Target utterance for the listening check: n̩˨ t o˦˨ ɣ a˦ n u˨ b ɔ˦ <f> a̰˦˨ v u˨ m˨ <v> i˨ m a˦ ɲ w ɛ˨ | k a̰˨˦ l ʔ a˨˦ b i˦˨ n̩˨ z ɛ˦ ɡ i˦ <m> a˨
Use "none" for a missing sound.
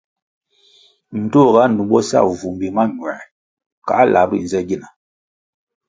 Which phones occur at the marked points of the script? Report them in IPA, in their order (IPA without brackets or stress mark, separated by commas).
s, b, n